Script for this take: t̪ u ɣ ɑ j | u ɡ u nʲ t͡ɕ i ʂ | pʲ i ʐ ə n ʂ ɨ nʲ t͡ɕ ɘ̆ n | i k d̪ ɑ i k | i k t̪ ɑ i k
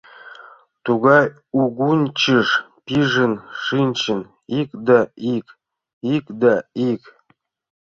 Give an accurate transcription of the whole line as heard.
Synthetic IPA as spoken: t̪ u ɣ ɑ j | u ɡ u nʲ t͡ɕ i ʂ | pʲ i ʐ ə n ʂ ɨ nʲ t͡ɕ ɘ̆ n | i k d̪ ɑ i k | i k d̪ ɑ i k